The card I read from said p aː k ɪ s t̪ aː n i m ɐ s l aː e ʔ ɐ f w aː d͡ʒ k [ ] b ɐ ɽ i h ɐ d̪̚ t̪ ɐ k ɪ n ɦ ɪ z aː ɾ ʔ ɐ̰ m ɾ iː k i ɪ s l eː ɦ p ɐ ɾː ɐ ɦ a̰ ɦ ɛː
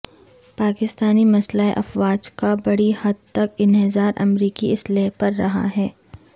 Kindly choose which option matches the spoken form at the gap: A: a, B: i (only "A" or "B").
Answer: A